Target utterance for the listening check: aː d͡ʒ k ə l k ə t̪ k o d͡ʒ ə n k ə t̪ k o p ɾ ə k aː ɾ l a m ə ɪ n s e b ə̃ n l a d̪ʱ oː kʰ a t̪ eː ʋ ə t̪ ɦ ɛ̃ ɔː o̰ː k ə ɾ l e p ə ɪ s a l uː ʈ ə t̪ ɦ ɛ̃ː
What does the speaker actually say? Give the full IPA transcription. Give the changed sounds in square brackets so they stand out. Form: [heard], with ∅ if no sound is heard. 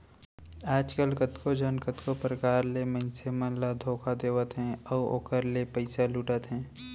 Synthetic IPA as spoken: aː d͡ʒ k ə l k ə t̪ k o d͡ʒ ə n k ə t̪ k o p ɾ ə k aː ɾ l [e] m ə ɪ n s e [m] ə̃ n l a d̪ʱ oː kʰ a [d̪] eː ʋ ə t̪ ɦ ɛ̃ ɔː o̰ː k ə ɾ l e p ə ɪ s a l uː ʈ ə t̪ ɦ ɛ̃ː